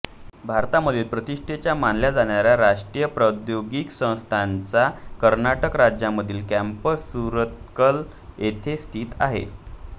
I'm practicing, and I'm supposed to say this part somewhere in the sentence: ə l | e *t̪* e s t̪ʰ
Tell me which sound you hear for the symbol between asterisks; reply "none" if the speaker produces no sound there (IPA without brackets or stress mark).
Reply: t̪ʰ